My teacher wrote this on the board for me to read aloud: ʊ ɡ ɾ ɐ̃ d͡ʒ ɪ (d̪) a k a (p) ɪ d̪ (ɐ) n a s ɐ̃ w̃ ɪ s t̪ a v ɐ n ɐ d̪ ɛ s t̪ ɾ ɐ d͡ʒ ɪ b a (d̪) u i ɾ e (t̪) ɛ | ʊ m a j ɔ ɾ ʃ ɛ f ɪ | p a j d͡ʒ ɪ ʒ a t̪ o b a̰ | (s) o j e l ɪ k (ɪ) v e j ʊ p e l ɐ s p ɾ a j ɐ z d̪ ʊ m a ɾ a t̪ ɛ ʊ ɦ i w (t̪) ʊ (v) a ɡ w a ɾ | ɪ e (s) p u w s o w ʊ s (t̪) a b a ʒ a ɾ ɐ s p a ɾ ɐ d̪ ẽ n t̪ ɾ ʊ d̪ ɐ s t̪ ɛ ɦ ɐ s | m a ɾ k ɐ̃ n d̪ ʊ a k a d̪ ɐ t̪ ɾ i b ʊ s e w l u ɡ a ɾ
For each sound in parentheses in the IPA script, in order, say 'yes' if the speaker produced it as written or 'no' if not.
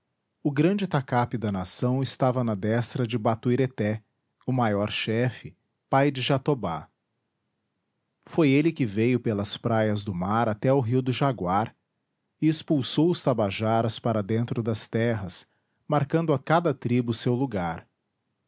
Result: no, yes, yes, no, yes, no, yes, no, no, yes, yes

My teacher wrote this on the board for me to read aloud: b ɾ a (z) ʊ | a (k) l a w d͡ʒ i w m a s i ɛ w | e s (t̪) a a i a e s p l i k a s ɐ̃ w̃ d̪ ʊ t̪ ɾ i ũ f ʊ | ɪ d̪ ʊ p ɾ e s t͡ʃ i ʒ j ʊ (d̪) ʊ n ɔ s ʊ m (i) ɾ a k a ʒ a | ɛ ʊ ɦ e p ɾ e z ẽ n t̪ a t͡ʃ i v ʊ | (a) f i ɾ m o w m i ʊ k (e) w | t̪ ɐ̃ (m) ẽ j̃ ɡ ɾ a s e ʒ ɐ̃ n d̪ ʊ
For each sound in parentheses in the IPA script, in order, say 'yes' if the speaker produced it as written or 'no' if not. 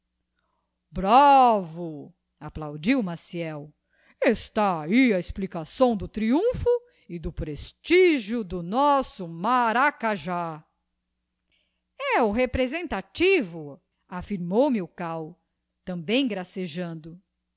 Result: no, no, yes, yes, no, yes, no, no

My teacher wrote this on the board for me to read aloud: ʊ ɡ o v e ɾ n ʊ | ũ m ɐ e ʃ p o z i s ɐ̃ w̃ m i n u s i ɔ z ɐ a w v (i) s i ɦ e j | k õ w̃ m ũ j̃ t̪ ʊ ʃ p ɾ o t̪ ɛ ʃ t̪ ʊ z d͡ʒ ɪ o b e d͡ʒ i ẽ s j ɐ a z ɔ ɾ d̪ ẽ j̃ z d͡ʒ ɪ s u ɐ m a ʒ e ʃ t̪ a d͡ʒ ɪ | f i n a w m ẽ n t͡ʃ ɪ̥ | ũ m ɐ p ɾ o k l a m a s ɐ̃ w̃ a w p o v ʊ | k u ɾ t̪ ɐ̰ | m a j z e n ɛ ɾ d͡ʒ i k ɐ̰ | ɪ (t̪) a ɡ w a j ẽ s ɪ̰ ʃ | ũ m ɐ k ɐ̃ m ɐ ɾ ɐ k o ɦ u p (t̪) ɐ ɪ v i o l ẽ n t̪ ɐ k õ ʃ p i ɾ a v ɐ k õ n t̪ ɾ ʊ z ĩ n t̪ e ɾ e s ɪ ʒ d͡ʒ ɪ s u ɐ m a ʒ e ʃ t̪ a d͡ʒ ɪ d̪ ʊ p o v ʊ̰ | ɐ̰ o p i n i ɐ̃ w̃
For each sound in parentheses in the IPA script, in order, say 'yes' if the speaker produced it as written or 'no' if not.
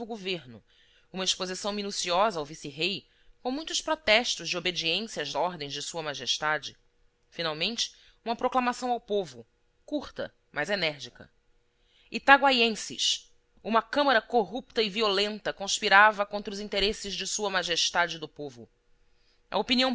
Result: yes, yes, yes

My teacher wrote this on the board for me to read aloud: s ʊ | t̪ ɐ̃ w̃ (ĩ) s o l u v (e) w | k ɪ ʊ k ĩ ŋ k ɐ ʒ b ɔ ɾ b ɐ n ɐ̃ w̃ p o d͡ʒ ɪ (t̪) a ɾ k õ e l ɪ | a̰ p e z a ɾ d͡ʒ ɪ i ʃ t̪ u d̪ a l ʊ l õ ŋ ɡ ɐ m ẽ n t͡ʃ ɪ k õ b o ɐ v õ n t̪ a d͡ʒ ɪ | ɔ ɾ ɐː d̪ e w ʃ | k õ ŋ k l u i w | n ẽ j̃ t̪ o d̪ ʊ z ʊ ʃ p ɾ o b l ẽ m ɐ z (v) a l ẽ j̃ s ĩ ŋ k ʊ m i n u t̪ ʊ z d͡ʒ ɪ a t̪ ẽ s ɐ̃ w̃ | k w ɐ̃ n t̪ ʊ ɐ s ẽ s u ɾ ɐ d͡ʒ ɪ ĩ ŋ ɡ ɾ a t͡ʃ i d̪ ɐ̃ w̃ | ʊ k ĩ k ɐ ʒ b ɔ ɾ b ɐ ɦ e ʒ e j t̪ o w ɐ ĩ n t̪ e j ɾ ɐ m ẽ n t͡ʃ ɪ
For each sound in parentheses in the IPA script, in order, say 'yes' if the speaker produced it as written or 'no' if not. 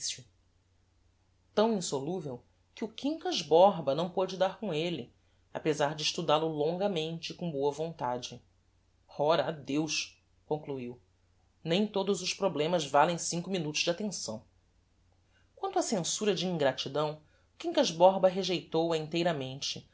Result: yes, yes, no, yes

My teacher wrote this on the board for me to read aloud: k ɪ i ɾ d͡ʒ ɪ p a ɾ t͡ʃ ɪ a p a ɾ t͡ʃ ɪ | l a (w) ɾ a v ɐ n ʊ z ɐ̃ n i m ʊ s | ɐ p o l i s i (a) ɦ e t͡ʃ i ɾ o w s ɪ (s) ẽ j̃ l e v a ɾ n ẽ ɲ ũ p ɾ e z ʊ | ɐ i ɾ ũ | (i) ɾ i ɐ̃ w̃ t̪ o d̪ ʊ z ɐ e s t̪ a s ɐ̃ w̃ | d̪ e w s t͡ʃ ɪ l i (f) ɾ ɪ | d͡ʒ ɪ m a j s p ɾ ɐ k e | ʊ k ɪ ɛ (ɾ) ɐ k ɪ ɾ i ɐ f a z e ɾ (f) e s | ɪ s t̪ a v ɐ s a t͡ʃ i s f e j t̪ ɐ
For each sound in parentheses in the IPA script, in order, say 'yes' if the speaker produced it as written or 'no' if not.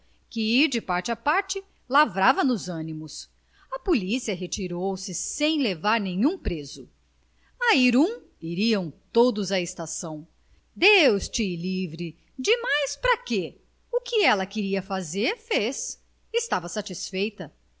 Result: no, no, yes, yes, no, no, yes

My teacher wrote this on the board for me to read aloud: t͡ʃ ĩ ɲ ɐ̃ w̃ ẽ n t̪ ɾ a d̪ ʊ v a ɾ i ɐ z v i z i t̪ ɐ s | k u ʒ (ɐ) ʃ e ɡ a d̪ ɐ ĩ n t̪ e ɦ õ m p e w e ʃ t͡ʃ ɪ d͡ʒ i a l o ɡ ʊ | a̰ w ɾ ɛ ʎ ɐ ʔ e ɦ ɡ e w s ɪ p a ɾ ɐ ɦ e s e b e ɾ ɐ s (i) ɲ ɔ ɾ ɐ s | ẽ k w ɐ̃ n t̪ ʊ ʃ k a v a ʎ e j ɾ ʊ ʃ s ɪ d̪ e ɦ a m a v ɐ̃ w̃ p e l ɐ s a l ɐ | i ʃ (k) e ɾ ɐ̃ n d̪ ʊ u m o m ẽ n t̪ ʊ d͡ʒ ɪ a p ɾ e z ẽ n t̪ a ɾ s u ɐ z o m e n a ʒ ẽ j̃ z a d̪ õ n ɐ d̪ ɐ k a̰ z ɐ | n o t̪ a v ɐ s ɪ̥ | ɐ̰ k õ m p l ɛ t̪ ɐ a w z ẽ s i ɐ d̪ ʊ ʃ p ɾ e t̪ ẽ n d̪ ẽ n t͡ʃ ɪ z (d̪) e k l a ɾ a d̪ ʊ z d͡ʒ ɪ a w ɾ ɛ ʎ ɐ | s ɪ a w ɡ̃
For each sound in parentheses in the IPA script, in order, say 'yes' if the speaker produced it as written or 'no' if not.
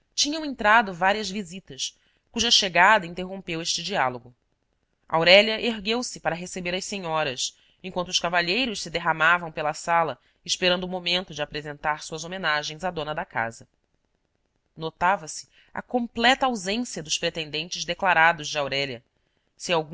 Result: yes, no, no, yes

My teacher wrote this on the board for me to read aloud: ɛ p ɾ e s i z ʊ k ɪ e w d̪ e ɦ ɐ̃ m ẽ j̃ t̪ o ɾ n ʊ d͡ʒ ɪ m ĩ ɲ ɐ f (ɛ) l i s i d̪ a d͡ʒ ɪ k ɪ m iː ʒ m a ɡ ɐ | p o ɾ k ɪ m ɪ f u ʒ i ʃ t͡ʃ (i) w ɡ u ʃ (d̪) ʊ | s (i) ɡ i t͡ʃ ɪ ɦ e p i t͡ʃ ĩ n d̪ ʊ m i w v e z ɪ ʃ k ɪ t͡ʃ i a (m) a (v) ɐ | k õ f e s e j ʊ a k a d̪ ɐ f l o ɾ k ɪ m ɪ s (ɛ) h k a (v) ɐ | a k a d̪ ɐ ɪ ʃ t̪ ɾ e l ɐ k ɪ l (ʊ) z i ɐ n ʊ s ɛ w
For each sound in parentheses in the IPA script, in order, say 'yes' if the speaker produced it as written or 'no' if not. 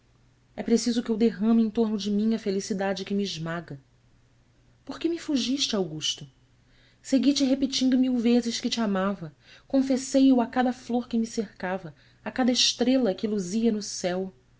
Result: no, no, no, no, yes, yes, no, yes, no

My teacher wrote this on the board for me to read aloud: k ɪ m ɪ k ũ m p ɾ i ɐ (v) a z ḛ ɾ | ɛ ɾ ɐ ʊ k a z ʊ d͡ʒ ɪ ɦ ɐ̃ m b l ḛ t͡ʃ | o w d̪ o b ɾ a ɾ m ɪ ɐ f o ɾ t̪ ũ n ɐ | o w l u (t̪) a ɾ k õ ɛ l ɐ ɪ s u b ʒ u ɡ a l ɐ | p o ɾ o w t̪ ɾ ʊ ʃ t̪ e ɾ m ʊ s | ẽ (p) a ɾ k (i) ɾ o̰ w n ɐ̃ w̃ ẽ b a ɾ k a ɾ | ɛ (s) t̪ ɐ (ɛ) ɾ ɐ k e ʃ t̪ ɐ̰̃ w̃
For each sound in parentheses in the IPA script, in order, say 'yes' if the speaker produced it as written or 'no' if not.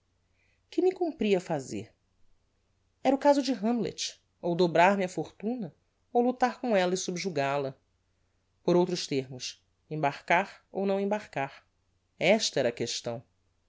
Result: no, yes, no, no, no, yes

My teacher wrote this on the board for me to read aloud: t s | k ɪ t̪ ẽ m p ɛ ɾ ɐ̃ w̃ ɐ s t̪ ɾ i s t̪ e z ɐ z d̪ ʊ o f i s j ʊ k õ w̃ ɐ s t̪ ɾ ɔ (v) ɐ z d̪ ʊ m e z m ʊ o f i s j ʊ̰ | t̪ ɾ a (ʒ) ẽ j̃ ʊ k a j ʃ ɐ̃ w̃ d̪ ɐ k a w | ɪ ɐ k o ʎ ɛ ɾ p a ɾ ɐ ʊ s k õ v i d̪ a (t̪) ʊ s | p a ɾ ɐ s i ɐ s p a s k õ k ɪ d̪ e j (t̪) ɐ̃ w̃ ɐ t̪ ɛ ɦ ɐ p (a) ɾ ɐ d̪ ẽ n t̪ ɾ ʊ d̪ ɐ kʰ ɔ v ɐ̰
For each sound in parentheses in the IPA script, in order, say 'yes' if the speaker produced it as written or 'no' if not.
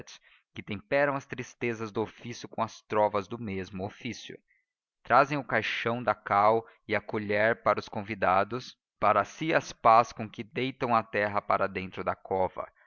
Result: yes, no, no, yes, yes

